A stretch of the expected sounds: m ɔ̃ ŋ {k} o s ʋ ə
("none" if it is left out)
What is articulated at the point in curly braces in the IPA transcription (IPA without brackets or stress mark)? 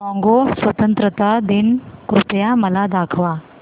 ɡ